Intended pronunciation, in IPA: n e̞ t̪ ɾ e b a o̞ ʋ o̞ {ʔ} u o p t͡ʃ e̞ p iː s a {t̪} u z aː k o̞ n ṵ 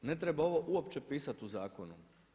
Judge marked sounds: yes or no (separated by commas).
yes, yes